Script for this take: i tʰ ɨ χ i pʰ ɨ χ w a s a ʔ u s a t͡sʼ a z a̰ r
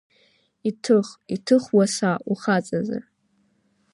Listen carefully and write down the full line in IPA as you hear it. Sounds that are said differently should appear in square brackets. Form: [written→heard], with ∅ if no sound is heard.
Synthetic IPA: i tʰ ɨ χ i [pʰ→tʰ] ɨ χ w a s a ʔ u [s→χ] a t͡sʼ a z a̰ r